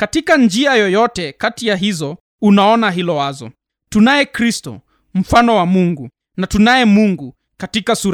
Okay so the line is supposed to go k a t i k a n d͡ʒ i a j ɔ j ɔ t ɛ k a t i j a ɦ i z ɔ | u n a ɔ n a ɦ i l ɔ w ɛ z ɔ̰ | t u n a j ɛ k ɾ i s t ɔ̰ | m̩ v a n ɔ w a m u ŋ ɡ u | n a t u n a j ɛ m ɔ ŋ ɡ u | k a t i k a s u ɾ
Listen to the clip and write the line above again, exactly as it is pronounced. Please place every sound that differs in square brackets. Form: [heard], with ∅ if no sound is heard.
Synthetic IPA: k a t i k a n d͡ʒ i a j ɔ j ɔ t ɛ k a t i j a ɦ i z ɔ | u n a ɔ n a ɦ i l ɔ w [a] z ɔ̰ | t u n a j ɛ k ɾ i s t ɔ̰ | m̩ [f] a n ɔ w a m u ŋ ɡ u | n a t u n a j ɛ m [u] ŋ ɡ u | k a t i k a s u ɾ